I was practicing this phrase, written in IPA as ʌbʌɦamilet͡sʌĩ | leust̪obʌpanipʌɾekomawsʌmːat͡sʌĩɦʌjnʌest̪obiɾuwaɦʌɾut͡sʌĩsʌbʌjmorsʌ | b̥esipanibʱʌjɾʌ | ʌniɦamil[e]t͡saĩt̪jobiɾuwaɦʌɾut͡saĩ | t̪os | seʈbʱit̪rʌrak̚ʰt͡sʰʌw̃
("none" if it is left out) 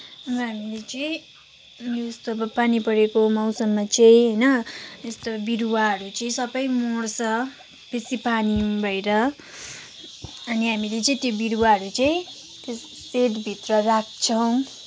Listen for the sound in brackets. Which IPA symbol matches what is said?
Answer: e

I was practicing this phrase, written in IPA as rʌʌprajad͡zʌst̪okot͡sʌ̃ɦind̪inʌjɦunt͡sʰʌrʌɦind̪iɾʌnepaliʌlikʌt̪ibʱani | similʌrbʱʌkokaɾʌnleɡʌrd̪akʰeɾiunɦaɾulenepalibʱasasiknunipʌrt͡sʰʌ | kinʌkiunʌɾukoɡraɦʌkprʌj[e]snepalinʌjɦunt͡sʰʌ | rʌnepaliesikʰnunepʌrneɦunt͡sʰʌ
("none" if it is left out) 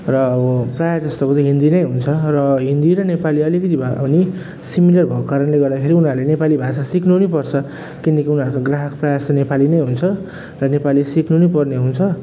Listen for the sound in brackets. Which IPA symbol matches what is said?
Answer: a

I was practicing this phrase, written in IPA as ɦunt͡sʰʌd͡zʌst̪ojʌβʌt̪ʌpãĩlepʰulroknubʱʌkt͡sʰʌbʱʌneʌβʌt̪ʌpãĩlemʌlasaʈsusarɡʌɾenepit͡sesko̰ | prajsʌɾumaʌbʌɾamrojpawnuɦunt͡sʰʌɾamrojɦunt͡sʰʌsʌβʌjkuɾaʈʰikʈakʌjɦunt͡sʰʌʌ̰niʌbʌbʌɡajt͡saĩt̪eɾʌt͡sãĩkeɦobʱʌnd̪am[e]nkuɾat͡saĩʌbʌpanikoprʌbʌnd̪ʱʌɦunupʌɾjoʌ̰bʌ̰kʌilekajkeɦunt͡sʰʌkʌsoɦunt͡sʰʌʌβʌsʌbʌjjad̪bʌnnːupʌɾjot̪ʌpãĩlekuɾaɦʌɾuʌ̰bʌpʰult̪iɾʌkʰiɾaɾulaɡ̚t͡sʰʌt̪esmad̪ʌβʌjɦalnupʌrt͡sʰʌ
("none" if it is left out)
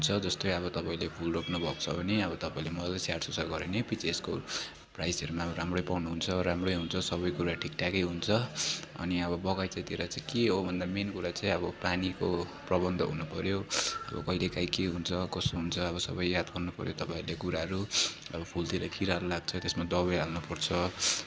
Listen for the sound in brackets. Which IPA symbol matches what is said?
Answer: e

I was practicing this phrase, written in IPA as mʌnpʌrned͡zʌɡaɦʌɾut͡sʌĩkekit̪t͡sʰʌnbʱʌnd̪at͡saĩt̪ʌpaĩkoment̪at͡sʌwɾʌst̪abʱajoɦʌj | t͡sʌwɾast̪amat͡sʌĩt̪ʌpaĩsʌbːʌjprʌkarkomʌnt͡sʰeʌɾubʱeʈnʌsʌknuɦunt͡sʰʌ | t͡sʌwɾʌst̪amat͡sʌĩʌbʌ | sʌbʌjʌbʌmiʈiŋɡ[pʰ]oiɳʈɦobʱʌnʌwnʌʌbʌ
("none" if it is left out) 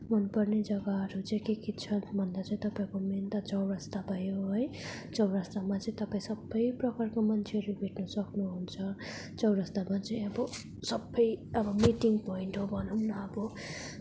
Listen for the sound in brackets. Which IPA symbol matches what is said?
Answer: p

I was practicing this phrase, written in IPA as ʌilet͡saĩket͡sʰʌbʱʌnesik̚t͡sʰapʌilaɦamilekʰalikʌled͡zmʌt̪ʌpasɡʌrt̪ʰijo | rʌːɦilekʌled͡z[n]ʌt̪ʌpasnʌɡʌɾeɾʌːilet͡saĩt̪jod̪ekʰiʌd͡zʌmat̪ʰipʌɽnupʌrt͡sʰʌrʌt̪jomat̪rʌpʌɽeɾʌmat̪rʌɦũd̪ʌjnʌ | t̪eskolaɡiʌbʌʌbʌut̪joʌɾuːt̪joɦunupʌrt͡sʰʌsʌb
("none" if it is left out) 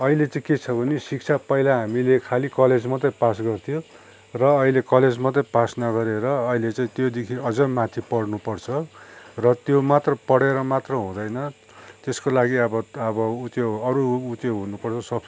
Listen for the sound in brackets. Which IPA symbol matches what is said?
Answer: m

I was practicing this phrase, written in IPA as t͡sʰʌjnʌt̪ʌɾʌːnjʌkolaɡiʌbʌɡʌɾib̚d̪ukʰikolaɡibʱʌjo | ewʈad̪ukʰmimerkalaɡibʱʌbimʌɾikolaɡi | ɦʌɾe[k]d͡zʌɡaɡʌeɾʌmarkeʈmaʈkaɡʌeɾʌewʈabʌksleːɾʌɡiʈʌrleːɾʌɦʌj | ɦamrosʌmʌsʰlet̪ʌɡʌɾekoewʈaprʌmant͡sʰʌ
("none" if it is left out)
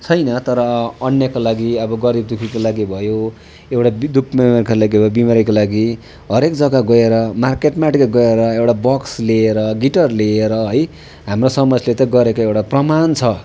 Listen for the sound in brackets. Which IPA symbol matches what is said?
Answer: k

